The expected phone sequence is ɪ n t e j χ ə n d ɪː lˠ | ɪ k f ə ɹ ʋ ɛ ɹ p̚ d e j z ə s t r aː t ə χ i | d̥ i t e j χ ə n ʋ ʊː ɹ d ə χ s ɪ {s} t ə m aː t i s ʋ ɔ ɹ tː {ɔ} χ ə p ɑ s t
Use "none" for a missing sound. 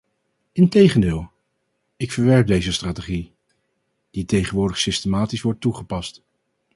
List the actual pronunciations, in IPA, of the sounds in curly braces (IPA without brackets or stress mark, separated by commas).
s, u